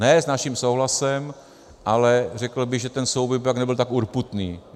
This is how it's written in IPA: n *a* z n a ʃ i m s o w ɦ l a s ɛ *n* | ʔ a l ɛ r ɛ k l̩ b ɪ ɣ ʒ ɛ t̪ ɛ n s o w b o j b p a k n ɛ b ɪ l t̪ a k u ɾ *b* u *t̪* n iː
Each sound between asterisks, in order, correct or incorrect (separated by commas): incorrect, incorrect, incorrect, correct